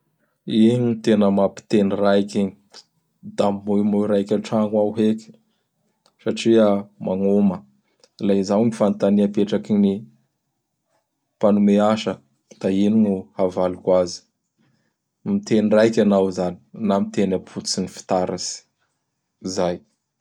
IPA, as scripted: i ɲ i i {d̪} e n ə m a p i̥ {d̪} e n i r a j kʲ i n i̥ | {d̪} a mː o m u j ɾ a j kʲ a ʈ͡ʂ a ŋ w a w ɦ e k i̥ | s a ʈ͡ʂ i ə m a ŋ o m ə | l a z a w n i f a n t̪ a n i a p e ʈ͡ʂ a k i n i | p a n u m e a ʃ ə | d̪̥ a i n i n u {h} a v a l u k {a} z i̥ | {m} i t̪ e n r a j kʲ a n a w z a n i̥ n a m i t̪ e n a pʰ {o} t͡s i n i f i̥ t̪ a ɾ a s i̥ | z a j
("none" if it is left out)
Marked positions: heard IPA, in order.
t̪, t̪, d̪, h, a, m, u

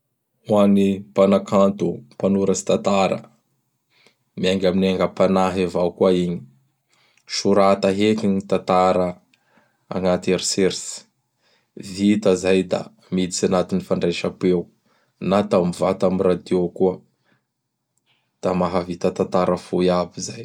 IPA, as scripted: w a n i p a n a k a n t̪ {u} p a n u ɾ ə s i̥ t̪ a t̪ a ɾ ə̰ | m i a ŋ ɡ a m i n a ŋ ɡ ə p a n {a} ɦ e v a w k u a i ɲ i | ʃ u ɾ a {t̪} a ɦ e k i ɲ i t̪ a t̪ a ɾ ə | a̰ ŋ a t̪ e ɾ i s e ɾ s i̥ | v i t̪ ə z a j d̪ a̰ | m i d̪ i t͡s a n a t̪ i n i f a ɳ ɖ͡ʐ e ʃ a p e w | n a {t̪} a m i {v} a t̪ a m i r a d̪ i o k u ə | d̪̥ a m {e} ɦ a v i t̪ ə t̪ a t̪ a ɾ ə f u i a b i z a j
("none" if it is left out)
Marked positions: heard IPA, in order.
u, a, t̪, t̪, v, a

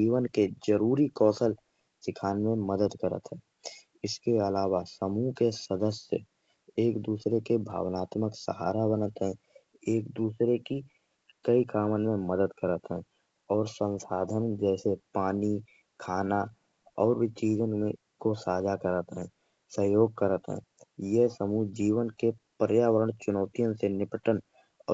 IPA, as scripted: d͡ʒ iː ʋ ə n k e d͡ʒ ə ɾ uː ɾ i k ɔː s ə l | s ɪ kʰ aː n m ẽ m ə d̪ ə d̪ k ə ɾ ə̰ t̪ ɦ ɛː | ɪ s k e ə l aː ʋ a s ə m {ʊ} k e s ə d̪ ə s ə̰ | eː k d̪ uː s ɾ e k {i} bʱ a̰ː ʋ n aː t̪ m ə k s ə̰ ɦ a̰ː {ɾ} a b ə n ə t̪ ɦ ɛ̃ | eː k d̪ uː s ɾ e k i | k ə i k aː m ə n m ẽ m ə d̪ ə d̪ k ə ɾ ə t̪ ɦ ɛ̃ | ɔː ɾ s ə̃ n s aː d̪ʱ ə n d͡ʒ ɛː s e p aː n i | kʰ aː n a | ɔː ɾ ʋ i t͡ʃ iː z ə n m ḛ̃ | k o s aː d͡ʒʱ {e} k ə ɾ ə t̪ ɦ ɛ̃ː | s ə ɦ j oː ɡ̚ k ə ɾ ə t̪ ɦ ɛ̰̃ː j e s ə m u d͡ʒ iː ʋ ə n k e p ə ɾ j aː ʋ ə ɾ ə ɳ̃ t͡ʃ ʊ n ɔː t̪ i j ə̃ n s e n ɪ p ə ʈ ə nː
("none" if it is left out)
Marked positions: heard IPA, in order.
u, e, ɾ, a

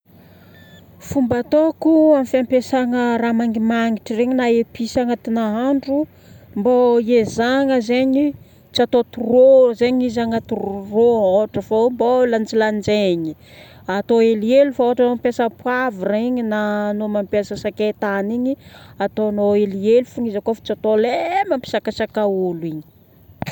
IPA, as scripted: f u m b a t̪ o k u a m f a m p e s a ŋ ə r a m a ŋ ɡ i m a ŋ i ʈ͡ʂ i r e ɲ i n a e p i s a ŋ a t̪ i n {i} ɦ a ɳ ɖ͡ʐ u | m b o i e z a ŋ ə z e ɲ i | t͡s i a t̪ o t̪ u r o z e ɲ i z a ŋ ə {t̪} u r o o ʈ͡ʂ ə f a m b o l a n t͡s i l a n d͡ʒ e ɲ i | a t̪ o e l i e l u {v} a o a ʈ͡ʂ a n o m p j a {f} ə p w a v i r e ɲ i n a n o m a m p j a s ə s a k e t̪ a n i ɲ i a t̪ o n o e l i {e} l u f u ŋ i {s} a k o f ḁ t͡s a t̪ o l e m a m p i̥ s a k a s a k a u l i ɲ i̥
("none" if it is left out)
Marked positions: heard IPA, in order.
a, t̪, f, s, e, z

